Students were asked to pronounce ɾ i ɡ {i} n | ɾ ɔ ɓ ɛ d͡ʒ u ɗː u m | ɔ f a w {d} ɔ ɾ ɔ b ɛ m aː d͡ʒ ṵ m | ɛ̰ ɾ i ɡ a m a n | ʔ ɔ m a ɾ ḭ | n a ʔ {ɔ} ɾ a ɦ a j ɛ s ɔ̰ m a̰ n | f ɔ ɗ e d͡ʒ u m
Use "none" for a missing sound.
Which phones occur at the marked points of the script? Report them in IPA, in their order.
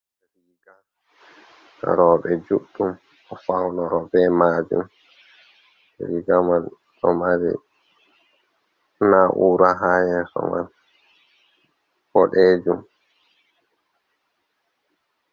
a, n, u

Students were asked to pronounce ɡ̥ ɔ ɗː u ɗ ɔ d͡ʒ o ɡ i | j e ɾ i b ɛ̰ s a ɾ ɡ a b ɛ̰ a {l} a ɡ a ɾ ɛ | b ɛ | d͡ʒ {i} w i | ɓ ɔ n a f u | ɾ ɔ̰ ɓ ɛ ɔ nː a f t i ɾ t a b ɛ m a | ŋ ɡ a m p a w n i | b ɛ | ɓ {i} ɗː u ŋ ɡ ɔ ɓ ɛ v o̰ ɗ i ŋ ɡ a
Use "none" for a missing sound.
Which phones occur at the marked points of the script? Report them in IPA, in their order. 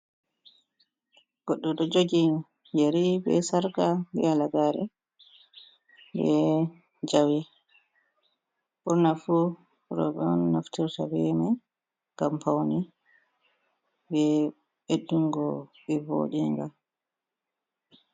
l, a, e

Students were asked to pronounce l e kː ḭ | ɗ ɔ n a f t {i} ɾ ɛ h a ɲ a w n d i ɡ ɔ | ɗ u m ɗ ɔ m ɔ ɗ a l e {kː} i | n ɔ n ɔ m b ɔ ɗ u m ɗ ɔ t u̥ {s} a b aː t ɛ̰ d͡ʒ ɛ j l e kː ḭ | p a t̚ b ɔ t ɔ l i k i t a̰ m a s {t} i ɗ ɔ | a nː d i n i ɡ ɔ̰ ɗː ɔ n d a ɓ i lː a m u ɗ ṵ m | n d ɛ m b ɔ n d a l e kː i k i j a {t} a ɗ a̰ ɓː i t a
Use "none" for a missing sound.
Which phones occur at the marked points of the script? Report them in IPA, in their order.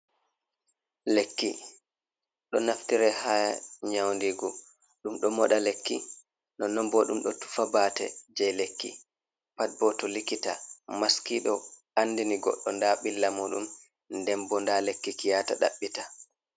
i, kː, f, k, t

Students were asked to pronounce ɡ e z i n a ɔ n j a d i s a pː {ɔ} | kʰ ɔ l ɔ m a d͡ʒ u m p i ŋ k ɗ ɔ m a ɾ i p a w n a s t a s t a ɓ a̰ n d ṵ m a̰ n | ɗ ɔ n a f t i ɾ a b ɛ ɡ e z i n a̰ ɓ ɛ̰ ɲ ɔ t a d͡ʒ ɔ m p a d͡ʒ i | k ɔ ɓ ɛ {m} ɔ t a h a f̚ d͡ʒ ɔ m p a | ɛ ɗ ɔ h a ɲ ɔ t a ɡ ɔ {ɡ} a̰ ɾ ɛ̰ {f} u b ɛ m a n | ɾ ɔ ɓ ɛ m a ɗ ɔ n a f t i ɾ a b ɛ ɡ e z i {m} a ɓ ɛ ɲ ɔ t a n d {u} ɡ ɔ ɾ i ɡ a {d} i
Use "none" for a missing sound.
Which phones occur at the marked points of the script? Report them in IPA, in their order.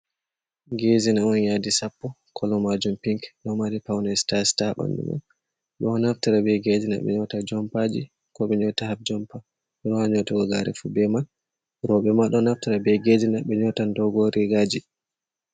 ɔ, ɲ, ɡ, f, n, ɔ, d͡ʒ

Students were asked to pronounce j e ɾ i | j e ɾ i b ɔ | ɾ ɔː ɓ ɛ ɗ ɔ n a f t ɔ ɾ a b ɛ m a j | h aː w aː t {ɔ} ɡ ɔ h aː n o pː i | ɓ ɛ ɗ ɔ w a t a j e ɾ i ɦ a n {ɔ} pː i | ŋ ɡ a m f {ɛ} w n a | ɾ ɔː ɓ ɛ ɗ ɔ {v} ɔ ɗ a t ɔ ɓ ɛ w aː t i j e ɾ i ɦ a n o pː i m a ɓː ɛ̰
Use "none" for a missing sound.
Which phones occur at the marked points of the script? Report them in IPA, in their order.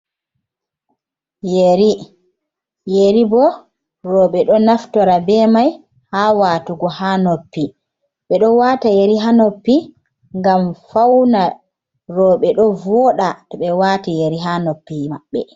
u, o, a, v

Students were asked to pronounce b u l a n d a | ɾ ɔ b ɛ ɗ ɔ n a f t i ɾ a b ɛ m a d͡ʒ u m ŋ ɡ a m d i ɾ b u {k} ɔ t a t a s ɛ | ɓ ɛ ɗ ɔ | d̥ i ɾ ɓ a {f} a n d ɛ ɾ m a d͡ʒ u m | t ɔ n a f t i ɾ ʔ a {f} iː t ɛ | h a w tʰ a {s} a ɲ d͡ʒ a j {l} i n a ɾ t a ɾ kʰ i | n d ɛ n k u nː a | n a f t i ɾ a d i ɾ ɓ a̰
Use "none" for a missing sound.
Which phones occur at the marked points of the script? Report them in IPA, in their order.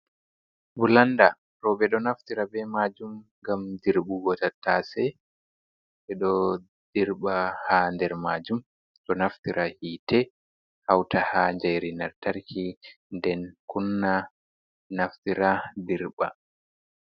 ɡ, h, h, h, ɾ

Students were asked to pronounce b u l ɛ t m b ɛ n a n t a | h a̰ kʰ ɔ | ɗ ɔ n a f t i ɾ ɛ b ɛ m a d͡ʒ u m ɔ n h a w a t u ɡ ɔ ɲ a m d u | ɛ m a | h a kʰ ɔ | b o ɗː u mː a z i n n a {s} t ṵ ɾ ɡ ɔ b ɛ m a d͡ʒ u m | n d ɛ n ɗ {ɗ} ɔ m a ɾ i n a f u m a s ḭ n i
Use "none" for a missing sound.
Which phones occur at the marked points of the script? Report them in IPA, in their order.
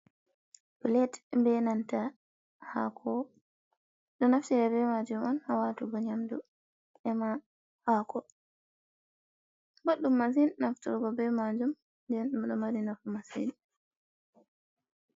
f, ɗ

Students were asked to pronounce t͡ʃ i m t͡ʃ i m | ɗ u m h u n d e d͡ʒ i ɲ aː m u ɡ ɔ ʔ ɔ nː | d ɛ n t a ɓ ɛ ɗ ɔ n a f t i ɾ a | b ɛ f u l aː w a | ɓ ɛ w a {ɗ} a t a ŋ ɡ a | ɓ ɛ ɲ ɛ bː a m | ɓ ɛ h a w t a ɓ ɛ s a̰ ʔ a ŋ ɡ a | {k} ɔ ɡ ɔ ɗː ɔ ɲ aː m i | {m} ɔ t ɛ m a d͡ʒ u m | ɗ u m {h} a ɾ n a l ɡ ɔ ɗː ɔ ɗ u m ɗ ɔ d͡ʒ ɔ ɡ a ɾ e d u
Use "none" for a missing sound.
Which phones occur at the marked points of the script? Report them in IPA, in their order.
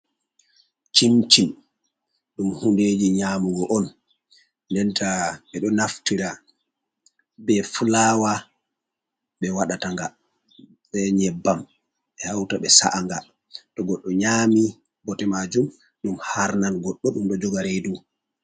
ɗ, t, b, h

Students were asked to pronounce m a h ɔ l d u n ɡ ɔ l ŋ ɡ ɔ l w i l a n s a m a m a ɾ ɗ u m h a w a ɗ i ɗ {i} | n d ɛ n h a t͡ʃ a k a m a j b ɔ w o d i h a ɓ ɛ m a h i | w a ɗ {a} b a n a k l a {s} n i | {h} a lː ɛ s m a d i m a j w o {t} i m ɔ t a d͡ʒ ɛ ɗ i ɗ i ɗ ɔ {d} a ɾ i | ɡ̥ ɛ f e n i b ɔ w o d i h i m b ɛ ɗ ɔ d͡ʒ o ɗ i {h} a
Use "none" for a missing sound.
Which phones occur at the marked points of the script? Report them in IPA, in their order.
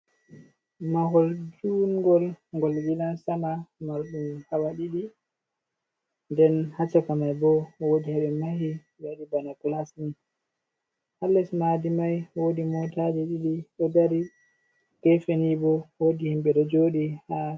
i, i, s, h, d, d, h

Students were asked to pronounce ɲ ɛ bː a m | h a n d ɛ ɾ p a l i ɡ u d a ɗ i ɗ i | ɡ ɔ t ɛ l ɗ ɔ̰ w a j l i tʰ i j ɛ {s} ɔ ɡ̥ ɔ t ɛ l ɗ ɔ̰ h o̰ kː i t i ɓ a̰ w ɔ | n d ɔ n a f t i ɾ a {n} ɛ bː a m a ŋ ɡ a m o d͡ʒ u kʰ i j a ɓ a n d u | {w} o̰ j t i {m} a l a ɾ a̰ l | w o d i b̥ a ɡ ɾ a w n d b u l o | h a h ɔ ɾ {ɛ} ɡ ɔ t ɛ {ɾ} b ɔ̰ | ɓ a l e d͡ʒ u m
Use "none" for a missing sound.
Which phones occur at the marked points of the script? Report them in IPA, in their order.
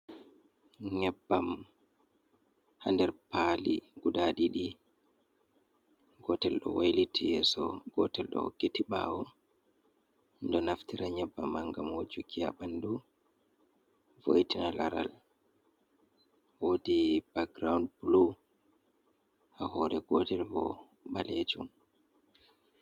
s, ɲ, v, n, ɛ, l

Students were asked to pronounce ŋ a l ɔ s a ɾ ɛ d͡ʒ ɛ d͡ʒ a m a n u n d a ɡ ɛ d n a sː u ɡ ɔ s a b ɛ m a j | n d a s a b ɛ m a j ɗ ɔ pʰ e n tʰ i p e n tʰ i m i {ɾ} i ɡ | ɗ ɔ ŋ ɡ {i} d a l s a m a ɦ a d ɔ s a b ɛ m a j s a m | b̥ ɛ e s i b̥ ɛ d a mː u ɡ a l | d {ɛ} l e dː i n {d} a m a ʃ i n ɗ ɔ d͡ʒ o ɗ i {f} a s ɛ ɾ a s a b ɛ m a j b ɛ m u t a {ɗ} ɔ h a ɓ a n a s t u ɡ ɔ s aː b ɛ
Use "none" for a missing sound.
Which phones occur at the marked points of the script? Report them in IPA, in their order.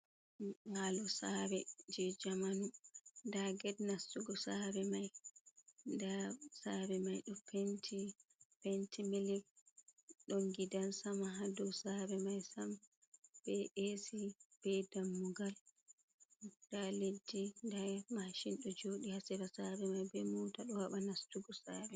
l, i, a, d, h, ɗ

